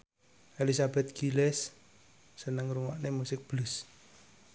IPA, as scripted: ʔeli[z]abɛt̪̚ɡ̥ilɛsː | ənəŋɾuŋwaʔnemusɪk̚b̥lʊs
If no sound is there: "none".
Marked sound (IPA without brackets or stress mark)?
s